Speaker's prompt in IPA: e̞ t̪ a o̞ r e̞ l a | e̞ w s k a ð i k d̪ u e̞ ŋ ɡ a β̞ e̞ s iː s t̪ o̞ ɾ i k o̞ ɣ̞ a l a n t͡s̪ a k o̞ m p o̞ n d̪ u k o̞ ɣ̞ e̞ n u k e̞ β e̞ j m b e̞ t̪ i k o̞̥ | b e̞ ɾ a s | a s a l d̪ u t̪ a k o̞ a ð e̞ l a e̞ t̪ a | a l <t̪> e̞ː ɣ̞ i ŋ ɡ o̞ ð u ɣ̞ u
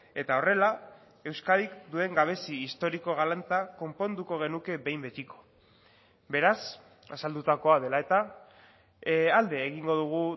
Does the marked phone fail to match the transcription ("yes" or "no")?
yes